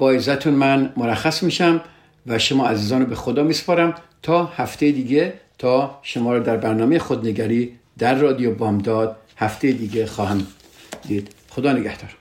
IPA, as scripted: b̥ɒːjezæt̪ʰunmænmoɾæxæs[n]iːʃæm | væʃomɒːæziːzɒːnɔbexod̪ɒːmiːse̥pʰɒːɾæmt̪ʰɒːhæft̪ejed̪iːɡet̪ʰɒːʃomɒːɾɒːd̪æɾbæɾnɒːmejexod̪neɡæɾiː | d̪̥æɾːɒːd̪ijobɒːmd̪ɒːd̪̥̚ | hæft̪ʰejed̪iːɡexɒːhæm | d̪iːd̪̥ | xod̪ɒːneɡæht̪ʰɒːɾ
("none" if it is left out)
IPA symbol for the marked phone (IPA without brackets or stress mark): m